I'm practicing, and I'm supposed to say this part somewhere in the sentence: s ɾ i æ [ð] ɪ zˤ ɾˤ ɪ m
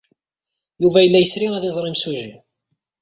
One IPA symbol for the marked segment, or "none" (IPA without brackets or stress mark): ð